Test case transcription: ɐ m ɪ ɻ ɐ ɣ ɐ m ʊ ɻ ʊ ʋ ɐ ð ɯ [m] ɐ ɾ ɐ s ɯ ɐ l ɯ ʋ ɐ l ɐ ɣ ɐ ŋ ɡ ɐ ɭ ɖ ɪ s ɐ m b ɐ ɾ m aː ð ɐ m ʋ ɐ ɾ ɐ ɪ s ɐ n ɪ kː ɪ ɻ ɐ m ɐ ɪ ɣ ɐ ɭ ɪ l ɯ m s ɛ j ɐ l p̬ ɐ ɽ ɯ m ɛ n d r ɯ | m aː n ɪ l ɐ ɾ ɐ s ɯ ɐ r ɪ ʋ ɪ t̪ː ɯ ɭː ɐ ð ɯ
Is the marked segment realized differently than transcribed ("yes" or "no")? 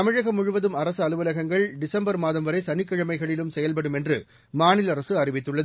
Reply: no